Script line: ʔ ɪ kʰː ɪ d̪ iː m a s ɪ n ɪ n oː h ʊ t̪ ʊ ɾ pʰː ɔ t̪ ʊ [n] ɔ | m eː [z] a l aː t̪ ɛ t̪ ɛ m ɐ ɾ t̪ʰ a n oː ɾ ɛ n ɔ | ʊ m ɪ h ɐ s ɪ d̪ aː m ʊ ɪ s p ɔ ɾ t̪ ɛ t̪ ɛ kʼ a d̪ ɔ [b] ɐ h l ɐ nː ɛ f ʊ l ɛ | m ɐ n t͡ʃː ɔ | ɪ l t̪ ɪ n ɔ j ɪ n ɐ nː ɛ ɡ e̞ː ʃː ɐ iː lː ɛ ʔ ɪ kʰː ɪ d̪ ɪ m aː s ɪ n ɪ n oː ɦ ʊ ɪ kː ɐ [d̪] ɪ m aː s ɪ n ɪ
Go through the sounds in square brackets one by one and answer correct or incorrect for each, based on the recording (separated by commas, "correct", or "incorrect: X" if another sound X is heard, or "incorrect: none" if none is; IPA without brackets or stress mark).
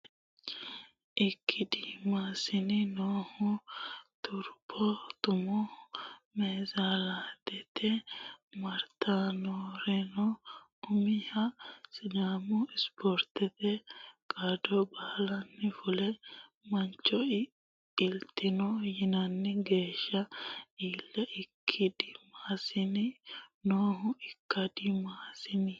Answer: incorrect: m, correct, correct, correct